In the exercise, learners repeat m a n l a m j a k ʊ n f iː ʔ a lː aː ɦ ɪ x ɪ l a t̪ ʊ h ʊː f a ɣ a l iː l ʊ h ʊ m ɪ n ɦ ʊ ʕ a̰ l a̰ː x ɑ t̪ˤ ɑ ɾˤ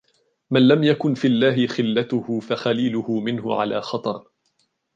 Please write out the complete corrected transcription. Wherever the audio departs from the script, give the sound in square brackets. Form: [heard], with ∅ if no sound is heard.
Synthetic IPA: m a n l a m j a k ʊ n f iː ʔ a lː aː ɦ ɪ x ɪ [lː] a t̪ ʊ h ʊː f a [x] a l iː l ʊ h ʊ m ɪ n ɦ ʊ ʕ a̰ l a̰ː x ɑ t̪ˤ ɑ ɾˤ